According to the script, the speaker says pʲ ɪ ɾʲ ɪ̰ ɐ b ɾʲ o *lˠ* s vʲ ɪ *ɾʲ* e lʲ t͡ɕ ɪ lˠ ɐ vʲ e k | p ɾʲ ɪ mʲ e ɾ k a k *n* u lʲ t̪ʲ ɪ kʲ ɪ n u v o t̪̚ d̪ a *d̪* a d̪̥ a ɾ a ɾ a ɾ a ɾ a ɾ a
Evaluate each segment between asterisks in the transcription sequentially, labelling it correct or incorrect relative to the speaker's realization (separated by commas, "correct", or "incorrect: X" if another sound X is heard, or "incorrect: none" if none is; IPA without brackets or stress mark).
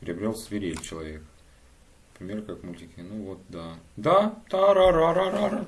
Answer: correct, correct, incorrect: m, correct